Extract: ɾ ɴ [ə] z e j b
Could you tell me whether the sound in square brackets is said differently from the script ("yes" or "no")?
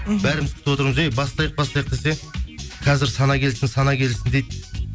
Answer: no